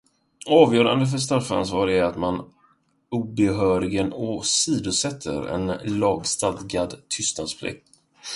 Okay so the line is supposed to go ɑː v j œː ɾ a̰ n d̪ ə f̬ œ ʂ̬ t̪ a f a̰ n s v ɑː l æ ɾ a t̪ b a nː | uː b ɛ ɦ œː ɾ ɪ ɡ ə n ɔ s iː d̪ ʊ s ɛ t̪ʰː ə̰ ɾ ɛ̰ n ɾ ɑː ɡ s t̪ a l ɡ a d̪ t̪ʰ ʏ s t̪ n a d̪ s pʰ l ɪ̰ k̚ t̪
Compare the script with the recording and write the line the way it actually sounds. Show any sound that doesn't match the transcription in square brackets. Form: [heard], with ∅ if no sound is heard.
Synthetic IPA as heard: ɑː v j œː ɾ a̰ n d̪ ə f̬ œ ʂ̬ t̪ a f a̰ n s v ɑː [ɾ] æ ɾ a t̪ [m] a [n] | uː b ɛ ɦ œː ɾ ɪ ɡ ə n ɔ s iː d̪ ʊ s ɛ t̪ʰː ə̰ ɾ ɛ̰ n [l] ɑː ɡ s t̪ a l ɡ a d̪ t̪ʰ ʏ s t̪ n a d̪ s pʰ l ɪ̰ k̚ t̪